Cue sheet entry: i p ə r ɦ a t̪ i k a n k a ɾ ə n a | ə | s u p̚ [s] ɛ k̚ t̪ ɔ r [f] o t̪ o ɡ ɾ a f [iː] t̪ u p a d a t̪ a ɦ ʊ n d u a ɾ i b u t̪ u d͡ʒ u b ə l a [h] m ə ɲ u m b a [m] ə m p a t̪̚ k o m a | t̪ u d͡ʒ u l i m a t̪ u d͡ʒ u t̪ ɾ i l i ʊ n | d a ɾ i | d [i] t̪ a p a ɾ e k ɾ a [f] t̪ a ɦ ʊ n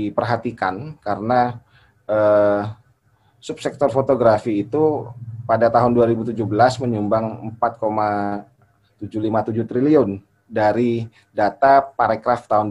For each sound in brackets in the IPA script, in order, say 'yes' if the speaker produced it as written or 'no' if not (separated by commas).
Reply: yes, yes, yes, no, no, no, yes